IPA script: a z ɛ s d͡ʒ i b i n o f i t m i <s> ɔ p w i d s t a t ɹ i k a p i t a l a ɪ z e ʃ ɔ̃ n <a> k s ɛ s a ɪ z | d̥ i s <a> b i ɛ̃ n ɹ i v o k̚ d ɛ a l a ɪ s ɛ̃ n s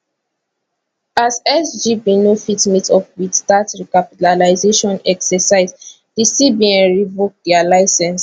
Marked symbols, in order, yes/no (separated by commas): no, no, no